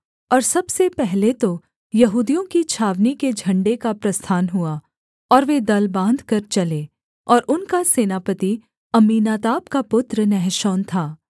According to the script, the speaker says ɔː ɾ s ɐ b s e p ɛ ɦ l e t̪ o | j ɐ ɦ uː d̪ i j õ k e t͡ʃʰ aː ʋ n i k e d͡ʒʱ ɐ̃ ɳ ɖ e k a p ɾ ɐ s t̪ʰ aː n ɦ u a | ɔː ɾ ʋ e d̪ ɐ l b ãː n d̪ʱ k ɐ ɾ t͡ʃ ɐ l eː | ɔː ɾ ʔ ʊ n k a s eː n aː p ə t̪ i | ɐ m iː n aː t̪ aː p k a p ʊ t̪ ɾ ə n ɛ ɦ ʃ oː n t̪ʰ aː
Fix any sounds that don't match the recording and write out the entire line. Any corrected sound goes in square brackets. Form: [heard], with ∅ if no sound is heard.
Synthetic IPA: ɔː ɾ s ɐ b s e p ɛ ɦ l e t̪ o | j ɐ ɦ uː d̪ i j õ k [i] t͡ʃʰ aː ʋ n i k e d͡ʒʱ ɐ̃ ɳ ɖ e k a p ɾ ɐ s t̪ʰ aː n ɦ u a | ɔː ɾ ʋ e d̪ ɐ l b ãː n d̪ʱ k ɐ ɾ t͡ʃ ɐ l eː | ɔː ɾ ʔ ʊ n k a s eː n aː p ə t̪ i | ɐ m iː n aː t̪ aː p k a p ʊ t̪ ɾ ə n ɛ ɦ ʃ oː n t̪ʰ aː

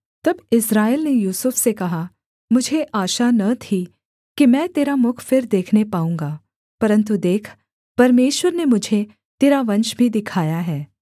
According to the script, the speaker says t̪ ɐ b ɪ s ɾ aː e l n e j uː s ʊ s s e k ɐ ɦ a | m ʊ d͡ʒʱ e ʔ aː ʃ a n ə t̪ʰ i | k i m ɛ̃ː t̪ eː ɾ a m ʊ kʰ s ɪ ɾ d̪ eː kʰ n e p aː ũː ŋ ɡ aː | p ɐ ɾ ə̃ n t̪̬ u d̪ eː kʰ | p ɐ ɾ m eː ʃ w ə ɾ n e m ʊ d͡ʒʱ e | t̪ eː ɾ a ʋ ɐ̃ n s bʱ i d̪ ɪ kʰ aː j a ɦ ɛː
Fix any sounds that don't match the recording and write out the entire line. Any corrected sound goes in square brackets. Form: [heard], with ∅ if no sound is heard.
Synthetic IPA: t̪ ɐ b ɪ s ɾ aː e l n e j uː s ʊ [f] s e k ɐ ɦ a | m ʊ d͡ʒʱ e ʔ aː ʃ a n [ɐ] t̪ʰ i | k i m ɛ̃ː t̪ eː ɾ a m ʊ kʰ [f] ɪ ɾ d̪ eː kʰ n e p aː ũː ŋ ɡ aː | p ɐ ɾ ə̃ n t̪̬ u d̪ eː kʰ | p ɐ ɾ m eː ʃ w ə ɾ n e m ʊ d͡ʒʱ e | t̪ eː ɾ a ʋ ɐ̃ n [ʃ] bʱ i d̪ ɪ kʰ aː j a ɦ ɛː

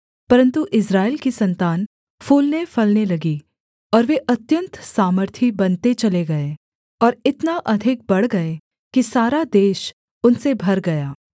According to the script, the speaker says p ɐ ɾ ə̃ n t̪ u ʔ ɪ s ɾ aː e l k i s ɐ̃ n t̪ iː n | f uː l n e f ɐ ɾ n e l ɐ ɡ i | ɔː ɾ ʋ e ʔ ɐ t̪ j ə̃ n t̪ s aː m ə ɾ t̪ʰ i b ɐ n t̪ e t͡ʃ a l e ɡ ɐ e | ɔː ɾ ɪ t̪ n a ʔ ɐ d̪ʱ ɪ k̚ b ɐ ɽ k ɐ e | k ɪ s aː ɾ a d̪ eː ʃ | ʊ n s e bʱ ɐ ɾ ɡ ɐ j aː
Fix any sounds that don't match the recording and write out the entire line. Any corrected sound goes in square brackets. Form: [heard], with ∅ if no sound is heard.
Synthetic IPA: p ɐ ɾ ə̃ n t̪ u ʔ ɪ s ɾ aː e l k i s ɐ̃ n t̪ [aː] n | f uː l n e f ɐ [l] n e l ɐ ɡ i | ɔː ɾ ʋ e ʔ ɐ t̪ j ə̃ n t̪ s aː m ə ɾ t̪ʰ i b ɐ n t̪ e t͡ʃ [ɐ] l e ɡ ɐ e | ɔː ɾ ɪ t̪ n a ʔ ɐ d̪ʱ ɪ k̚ b ɐ ɽ [ɡ] ɐ e | k [i] s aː ɾ a d̪ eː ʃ | ʊ n s e bʱ ɐ ɾ ɡ ɐ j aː

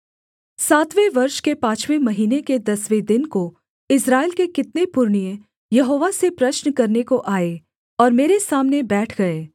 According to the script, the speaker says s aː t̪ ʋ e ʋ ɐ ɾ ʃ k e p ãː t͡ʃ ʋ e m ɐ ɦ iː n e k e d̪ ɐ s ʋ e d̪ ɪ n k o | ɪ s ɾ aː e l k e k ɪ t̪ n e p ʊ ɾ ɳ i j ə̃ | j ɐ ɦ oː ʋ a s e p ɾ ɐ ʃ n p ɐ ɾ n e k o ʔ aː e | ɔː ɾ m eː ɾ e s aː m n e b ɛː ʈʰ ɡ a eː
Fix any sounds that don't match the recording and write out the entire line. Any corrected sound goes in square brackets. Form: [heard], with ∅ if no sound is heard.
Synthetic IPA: s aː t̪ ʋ e ʋ ɐ ɾ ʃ k e p ãː t͡ʃ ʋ e m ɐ ɦ iː n e k e d̪ ɐ s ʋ e d̪ ɪ n k o | ɪ s ɾ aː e l k e k ɪ t̪ n e p ʊ ɾ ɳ i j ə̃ | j ɐ ɦ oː ʋ a s e p ɾ ɐ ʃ n [k] ɐ ɾ n e k o ʔ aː e | ɔː ɾ m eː ɾ e s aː m n e b ɛː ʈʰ ɡ [ɐ] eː

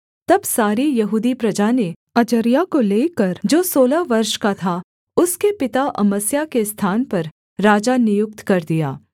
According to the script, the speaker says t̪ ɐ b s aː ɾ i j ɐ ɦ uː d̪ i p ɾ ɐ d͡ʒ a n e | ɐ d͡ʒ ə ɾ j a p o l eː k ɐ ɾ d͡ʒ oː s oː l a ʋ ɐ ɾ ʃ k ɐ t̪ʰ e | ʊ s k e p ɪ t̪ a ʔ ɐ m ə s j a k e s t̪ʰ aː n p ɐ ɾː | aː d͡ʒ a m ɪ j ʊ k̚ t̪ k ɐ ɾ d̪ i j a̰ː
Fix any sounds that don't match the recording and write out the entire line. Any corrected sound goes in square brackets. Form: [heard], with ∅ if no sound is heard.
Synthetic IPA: t̪ ɐ b s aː ɾ i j ɐ ɦ uː d̪ i p ɾ ɐ d͡ʒ a n e | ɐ d͡ʒ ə ɾ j a [k] o l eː k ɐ ɾ d͡ʒ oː s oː l a ʋ ɐ ɾ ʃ k [a] t̪ʰ [a] | ʊ s k e p ɪ t̪ a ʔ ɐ m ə s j a k e s t̪ʰ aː n p ɐ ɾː | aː d͡ʒ a [n] ɪ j ʊ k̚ t̪ k ɐ ɾ d̪ i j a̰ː

